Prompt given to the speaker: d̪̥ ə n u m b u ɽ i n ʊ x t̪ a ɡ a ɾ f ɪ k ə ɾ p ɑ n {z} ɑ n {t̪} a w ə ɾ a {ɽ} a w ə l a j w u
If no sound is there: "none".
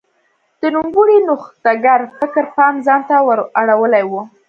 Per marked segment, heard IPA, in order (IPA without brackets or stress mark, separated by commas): z, t̪, ɽ